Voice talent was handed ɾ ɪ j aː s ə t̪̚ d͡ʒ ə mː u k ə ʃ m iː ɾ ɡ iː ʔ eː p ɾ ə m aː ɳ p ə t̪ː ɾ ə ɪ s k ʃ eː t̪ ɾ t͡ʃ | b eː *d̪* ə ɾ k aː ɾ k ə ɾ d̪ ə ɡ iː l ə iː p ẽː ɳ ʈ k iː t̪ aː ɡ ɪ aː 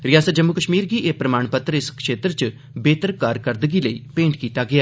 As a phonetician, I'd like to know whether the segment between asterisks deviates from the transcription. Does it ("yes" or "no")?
yes